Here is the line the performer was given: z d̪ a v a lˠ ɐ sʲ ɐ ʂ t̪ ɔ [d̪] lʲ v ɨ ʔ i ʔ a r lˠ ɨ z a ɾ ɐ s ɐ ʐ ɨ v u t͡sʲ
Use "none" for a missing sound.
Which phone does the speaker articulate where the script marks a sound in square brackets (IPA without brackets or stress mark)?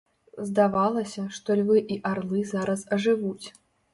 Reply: none